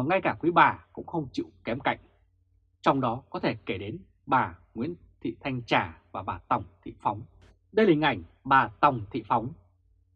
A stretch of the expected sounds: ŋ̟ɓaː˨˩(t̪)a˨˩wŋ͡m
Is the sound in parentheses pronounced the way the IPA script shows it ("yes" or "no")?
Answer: yes